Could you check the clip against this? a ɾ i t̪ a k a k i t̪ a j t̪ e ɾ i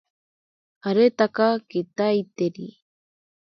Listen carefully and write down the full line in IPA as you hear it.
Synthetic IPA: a ɾ e t̪ a k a k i t̪ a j t̪ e ɾ i